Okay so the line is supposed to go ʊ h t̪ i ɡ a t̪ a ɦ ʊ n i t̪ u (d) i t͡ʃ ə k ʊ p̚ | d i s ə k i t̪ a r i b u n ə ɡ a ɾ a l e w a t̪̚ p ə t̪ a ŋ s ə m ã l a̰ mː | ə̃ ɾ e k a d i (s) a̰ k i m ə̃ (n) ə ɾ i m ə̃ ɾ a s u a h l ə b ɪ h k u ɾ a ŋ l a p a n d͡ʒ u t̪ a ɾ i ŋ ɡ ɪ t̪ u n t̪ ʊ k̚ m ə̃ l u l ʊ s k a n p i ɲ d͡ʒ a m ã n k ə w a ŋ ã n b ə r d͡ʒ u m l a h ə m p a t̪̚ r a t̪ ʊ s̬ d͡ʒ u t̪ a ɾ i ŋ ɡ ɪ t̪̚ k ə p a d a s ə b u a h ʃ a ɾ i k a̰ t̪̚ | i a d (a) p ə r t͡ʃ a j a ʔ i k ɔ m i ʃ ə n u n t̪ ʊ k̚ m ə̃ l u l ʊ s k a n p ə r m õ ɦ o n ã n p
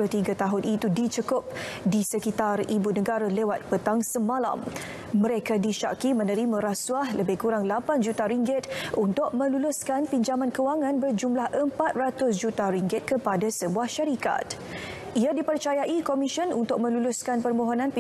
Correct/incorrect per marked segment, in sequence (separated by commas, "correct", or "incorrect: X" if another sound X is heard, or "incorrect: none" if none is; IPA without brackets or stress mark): correct, incorrect: ʃ, correct, incorrect: i